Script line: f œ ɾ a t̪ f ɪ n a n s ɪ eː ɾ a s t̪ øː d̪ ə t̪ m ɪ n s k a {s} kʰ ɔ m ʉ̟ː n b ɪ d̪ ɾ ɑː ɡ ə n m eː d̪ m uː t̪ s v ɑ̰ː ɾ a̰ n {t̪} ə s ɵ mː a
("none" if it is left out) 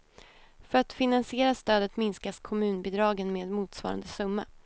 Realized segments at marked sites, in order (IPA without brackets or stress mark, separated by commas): s, d̪